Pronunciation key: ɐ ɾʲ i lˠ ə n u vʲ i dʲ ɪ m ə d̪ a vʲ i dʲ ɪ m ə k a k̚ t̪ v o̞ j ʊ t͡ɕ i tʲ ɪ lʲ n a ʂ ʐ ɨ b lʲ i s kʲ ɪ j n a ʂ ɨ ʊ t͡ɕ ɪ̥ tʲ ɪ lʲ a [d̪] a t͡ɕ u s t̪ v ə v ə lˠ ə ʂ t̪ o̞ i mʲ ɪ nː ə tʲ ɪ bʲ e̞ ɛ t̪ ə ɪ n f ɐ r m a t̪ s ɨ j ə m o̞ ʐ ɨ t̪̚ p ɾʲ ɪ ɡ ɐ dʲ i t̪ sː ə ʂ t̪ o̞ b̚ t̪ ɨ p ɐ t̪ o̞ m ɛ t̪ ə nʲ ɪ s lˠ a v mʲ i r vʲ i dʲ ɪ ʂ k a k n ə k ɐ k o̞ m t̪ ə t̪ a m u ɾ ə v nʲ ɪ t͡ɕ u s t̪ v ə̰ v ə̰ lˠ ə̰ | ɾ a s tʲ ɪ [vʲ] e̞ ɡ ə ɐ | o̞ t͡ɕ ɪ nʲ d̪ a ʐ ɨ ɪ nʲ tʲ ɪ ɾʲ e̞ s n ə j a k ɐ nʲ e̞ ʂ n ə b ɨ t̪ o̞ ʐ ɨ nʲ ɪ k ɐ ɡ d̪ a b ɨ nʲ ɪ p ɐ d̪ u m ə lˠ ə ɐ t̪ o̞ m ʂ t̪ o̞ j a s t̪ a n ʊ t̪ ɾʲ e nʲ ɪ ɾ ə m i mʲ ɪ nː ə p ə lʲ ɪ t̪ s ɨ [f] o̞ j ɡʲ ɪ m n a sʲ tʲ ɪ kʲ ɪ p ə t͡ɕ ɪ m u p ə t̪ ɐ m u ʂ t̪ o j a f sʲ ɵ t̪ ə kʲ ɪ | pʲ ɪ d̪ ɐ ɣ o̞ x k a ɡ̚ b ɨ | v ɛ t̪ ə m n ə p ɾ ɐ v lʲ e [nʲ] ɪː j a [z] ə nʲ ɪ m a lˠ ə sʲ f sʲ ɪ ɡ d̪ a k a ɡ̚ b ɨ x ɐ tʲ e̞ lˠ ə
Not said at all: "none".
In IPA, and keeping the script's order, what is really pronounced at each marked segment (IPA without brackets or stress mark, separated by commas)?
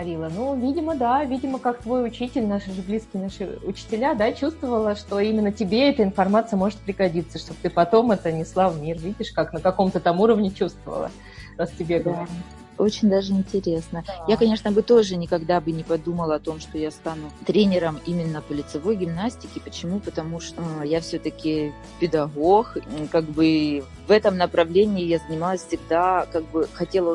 d̪, bʲ, v, nʲ, z